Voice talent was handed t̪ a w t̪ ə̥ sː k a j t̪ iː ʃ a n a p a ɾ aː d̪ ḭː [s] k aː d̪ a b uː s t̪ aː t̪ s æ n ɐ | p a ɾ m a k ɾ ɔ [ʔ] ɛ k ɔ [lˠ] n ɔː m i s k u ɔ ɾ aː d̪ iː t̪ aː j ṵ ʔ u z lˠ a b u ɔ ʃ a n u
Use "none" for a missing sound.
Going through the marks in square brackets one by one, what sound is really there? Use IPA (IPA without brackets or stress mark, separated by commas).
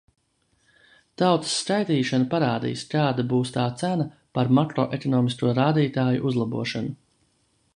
s, ʔ, none